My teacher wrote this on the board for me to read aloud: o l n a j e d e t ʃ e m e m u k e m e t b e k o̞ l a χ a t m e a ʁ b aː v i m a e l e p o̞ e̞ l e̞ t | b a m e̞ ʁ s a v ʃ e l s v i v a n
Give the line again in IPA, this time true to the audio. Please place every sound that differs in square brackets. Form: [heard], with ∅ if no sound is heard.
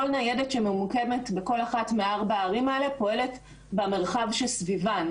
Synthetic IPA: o l n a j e d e t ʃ e m e m u k e m e t b e k o̞ l a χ a t m e a ʁ b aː [ʁ] i m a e l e p o̞ e̞ l e̞ t | b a m e̞ ʁ [χ] a v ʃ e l s v i v a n